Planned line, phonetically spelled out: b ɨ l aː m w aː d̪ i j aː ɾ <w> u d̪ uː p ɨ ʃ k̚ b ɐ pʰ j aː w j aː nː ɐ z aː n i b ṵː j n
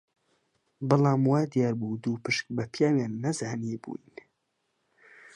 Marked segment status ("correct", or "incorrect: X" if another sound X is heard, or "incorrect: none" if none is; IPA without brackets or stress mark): incorrect: b